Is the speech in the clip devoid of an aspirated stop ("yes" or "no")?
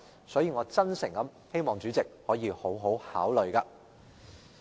yes